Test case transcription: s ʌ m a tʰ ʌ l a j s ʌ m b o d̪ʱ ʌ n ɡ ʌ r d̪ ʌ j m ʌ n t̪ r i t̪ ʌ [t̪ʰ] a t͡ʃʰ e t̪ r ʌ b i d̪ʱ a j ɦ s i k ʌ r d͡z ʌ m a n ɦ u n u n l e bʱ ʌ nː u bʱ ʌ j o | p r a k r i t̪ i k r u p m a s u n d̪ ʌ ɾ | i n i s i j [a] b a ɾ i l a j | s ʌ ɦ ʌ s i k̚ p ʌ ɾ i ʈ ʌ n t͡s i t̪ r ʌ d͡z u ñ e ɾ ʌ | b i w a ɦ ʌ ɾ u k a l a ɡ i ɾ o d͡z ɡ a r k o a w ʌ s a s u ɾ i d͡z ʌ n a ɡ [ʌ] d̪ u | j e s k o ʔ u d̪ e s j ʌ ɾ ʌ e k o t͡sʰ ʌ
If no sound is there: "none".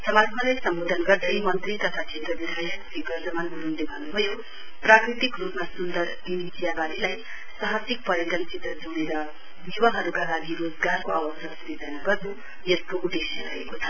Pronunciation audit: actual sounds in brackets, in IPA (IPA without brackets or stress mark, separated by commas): t̪ʰ, a, ʌ